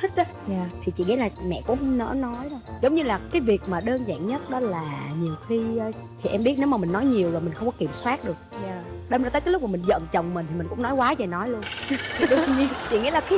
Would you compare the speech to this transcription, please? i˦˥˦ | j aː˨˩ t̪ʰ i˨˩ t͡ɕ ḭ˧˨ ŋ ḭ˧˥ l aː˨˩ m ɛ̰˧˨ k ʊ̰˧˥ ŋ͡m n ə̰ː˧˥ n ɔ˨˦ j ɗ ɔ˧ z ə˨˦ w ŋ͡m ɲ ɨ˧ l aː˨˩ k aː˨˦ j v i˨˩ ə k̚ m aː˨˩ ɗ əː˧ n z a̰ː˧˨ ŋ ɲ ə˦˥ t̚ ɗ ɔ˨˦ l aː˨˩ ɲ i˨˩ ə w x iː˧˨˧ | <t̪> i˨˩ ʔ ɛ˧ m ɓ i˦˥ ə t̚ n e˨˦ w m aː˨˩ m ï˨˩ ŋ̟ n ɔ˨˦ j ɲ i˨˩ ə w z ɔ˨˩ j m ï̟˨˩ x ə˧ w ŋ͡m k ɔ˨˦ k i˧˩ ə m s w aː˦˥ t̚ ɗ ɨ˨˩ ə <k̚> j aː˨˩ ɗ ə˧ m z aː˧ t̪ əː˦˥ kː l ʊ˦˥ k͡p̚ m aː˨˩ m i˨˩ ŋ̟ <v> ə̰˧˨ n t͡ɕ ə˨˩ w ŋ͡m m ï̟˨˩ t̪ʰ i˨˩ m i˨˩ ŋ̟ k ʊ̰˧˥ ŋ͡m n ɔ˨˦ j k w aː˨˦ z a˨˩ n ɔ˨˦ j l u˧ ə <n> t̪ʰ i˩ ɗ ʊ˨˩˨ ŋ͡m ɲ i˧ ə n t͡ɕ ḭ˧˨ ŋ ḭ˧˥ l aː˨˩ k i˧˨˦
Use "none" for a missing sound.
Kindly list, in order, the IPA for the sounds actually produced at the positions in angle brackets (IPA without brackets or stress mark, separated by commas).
t̪ʰ, k̚, z, n